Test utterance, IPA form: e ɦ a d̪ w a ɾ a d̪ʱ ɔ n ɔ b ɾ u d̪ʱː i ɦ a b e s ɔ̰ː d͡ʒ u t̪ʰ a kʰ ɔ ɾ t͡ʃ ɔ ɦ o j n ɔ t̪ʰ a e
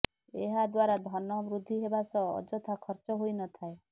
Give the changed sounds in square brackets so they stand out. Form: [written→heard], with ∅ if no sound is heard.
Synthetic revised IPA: e ɦ a d̪ w a ɾ a d̪ʱ ɔ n ɔ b ɾ u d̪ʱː i ɦ [a→e] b [e→a] s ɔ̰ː d͡ʒ [u→ɔ] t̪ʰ a kʰ ɔ ɾ t͡ʃ ɔ ɦ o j n ɔ t̪ʰ a e